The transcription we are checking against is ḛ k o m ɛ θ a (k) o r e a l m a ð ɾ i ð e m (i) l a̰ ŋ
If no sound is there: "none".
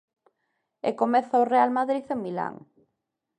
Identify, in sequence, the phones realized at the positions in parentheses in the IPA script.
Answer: none, i

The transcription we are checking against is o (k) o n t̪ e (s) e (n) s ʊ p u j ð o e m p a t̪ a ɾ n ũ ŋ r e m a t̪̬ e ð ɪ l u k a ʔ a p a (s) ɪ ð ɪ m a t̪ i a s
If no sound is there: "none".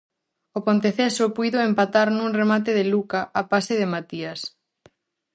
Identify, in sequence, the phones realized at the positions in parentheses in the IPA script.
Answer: p, θ, none, s

